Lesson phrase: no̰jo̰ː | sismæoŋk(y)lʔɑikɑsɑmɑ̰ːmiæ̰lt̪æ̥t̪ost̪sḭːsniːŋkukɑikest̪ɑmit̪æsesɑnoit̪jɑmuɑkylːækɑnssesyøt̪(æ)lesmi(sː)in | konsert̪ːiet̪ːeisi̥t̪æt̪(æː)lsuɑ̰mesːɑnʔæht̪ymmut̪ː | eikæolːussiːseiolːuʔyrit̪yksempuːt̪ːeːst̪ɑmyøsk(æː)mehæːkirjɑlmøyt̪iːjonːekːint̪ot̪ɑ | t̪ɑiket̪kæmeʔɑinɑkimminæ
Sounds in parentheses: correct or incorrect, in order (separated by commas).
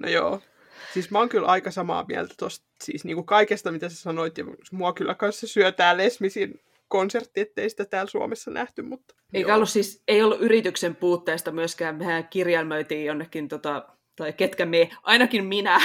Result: correct, incorrect, incorrect, correct, correct